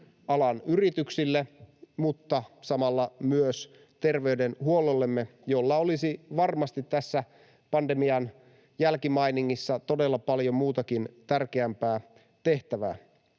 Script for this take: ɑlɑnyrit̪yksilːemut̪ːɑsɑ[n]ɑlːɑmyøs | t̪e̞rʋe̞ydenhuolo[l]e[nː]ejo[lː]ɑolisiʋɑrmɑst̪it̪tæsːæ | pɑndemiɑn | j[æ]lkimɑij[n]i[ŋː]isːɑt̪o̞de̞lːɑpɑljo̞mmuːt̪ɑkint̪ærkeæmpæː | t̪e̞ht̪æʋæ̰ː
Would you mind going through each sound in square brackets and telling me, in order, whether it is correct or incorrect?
incorrect, incorrect, incorrect, correct, correct, correct, correct

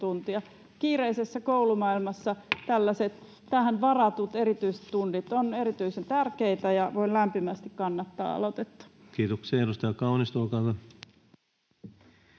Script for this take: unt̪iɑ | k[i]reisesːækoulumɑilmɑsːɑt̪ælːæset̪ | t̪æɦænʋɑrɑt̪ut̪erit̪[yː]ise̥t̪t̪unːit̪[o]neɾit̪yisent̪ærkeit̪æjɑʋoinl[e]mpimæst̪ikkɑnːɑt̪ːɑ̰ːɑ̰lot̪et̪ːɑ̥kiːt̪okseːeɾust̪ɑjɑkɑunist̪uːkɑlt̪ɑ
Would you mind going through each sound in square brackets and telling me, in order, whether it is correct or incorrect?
incorrect, incorrect, correct, incorrect

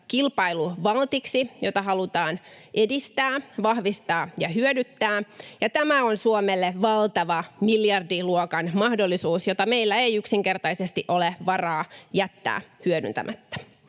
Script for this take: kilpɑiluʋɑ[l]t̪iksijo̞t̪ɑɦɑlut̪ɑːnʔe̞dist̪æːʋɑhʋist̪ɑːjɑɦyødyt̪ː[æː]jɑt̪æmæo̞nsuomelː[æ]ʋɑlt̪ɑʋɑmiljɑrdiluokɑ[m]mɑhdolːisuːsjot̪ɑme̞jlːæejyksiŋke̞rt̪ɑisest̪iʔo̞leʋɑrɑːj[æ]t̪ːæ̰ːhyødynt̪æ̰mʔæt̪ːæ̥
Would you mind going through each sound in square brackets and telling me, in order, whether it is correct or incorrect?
correct, correct, incorrect, incorrect, correct

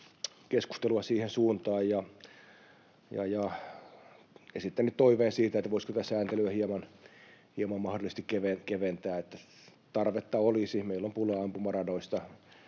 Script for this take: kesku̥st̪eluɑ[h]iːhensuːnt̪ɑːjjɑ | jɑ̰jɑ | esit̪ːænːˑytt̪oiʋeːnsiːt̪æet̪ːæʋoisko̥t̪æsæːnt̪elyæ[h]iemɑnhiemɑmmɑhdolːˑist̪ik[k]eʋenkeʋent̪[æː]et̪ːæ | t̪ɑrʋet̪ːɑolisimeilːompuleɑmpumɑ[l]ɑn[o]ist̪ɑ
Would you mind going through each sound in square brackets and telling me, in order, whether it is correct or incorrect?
incorrect, correct, correct, correct, incorrect, correct

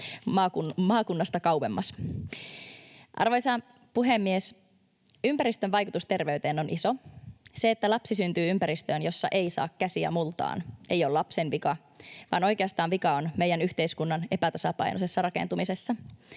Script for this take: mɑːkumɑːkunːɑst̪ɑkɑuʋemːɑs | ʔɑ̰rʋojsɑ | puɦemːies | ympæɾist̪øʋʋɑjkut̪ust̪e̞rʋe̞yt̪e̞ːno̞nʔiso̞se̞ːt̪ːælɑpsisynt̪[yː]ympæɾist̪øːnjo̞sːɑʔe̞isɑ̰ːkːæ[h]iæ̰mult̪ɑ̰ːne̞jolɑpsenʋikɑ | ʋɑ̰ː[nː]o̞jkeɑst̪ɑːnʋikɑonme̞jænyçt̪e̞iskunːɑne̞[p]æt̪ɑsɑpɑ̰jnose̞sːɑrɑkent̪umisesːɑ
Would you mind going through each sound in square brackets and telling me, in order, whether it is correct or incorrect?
correct, incorrect, incorrect, correct

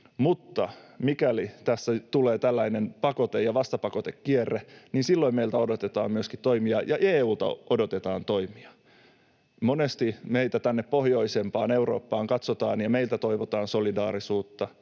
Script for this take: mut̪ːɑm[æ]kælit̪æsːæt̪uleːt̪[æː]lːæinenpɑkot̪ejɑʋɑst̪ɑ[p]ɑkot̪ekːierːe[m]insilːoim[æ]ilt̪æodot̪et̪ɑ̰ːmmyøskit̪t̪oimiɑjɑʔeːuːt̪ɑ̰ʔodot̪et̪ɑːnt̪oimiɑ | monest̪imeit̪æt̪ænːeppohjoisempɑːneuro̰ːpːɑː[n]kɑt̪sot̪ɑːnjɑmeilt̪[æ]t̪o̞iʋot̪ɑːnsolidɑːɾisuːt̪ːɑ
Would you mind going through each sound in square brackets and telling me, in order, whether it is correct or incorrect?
incorrect, incorrect, correct, incorrect, incorrect, incorrect, correct

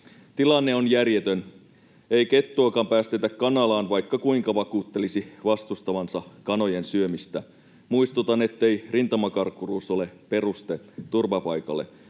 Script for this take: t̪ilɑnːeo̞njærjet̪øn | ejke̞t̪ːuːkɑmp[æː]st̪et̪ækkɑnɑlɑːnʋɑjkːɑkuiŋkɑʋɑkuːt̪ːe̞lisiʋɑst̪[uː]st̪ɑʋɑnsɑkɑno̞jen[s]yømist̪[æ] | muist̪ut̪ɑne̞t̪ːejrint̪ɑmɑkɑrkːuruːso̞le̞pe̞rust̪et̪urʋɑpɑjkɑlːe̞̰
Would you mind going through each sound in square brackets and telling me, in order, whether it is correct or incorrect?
correct, incorrect, correct, correct

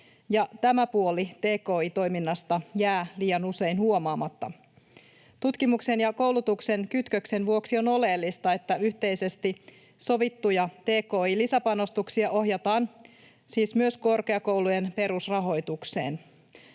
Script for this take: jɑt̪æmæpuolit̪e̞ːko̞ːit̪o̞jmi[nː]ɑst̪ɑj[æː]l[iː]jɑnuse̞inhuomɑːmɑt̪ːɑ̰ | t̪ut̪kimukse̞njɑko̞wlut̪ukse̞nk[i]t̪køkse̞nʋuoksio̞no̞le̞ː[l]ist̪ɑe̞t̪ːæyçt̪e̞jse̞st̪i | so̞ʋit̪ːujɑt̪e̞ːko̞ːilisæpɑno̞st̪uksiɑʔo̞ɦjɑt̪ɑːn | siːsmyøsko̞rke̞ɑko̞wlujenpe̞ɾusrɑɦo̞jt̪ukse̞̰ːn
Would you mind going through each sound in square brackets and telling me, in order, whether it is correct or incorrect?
correct, correct, correct, incorrect, incorrect

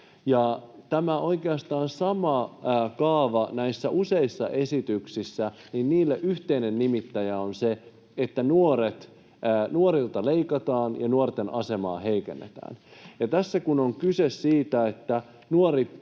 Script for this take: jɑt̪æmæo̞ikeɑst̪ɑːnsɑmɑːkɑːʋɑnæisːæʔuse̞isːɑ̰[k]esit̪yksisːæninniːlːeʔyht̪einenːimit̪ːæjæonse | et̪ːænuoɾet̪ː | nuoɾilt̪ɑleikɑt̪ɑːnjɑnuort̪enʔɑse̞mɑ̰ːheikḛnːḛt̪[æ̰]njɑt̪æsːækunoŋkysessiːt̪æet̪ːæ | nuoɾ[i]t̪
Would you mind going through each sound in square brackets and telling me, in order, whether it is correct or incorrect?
incorrect, incorrect, correct

